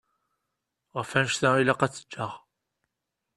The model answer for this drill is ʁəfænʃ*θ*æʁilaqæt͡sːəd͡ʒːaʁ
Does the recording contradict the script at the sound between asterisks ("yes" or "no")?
no